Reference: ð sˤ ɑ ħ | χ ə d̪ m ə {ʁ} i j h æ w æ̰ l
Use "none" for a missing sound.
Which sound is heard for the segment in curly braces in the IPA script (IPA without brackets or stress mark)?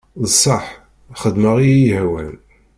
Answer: ʁ